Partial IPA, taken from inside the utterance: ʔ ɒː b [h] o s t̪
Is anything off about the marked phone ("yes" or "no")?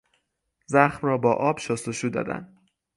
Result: yes